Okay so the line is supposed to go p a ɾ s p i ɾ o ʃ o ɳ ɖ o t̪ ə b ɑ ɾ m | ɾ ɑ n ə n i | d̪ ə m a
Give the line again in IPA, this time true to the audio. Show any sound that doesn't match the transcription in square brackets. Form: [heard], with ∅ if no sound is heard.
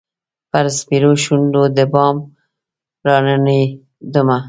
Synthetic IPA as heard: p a ɾ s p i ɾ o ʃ [u] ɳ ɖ o [d̪] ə b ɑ [∅] m | ɾ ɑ n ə n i | d̪ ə m a